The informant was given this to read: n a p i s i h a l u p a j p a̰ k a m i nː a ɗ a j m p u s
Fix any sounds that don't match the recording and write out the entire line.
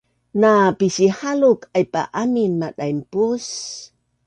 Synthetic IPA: n a p i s i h a l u k a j p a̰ ʔ a m i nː a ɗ a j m p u s